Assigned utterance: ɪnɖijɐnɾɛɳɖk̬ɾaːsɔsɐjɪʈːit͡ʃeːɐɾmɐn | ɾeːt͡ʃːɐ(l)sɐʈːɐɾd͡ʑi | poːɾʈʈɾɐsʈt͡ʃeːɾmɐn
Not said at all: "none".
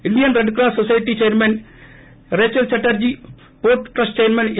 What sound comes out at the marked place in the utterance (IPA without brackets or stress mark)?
l